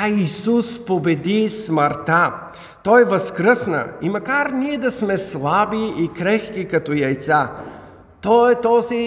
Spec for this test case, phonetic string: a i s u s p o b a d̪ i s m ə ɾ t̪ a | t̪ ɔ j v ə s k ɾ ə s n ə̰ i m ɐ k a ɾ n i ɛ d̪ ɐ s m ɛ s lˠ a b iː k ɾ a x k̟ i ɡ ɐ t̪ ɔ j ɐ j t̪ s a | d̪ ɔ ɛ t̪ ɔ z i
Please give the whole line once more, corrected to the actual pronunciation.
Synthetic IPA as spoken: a i s u s p o b ɛ d̪ i s m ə ɾ t̪ a | t̪ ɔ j v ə s k ɾ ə s n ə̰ i m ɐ k a ɾ n i ɛ d̪ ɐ s m ɛ s lˠ a b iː k ɾ ɛ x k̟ i k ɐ t̪ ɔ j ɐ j t̪ s a | t̪ ɔ ɛ t̪ ɔ z i